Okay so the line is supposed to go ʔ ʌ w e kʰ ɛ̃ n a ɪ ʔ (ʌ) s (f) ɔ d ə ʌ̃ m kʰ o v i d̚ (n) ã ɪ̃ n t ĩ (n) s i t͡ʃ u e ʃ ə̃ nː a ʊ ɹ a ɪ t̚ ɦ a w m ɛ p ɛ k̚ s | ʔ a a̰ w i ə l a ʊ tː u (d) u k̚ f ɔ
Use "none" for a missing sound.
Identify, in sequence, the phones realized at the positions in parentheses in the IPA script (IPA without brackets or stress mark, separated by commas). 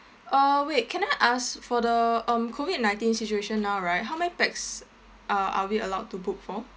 a, f, n, n, b